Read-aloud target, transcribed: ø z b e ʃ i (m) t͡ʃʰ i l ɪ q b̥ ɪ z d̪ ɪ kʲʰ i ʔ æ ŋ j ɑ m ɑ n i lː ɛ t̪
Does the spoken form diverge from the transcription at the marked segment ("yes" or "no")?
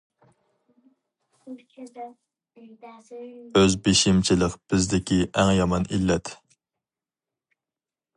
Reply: no